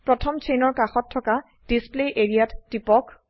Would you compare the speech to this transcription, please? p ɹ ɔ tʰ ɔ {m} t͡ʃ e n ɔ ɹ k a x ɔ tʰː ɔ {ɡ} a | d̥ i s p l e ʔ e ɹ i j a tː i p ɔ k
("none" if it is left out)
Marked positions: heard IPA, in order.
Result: m, k

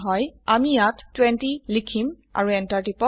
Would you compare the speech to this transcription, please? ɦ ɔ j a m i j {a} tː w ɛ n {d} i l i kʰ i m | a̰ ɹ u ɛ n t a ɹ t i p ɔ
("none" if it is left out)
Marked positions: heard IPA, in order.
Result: a, t

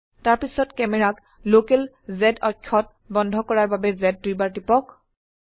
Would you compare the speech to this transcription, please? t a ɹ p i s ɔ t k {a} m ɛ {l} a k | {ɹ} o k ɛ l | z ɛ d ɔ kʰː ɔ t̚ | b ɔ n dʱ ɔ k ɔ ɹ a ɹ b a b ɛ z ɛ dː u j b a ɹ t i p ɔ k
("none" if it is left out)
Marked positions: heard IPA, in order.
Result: ɛ, ɹ, l

